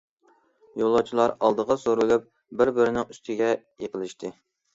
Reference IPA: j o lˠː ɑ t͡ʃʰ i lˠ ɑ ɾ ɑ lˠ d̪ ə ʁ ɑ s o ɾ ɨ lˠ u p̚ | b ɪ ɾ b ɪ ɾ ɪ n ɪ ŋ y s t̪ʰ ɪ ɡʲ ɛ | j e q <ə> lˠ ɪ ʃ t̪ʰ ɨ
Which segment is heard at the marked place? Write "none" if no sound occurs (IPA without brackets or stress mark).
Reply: ə